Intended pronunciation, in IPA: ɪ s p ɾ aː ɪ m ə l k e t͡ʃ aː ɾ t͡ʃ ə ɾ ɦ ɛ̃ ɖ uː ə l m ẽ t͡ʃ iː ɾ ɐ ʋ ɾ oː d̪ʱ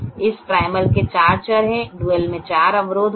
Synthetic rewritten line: ɪ s p ɾ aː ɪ m ə l k e t͡ʃ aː ɾ t͡ʃ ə ɾ ɦ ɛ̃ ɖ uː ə l m ẽ t͡ʃ aː ɾ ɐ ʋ ɾ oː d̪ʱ